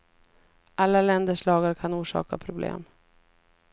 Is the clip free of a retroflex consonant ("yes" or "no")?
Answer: no